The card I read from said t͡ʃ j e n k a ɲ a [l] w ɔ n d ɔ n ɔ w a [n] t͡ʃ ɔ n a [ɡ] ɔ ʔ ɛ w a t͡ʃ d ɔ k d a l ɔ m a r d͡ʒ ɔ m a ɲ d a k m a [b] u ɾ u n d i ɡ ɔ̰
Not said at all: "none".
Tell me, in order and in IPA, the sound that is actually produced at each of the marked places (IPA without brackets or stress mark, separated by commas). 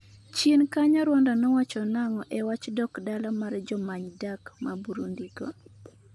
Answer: ɾ, none, ŋ, b